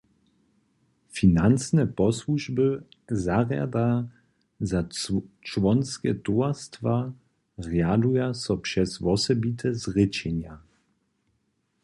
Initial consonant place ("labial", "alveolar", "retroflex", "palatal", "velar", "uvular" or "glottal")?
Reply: labial